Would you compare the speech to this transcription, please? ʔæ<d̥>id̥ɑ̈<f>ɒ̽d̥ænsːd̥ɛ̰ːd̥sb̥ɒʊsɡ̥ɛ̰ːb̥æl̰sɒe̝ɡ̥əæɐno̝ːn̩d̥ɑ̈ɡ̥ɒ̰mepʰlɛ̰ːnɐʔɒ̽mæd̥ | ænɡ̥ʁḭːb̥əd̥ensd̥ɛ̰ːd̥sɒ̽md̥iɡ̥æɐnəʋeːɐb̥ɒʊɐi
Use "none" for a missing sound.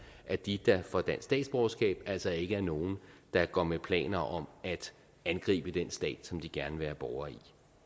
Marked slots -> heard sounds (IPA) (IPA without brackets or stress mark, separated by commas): d̥, f